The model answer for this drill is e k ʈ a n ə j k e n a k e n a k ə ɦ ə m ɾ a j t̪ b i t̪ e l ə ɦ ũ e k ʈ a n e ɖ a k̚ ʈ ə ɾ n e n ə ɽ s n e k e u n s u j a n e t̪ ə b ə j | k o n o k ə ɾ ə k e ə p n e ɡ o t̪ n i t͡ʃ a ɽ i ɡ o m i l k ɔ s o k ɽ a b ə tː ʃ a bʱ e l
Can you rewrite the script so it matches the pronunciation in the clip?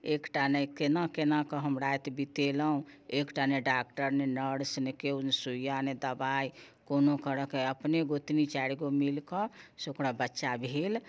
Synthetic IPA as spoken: e k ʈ a n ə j k e n a k e n a k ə ɦ ə m ɾ a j t̪ b i t̪ e l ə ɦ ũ e k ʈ a n e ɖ a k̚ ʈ ə ɾ n e n ə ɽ s n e k e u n s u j a n e d̪ ə b a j | k o n o k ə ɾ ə k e ə p n e ɡ o t̪ n i t͡ʃ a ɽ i ɡ o m i l k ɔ s o k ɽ a b ə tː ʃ a bʱ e l